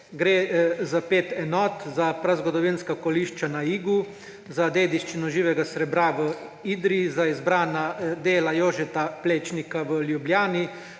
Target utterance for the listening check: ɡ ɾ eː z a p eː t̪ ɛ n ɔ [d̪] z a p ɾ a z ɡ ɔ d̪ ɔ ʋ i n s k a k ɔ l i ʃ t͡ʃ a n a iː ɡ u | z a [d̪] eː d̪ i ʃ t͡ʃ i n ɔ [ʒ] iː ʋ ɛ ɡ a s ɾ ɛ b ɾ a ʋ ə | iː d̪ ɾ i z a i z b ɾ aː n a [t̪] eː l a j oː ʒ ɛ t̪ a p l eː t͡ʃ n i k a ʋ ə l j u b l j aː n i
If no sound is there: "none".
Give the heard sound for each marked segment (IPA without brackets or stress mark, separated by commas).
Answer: t̪, d̪, ʒ, d̪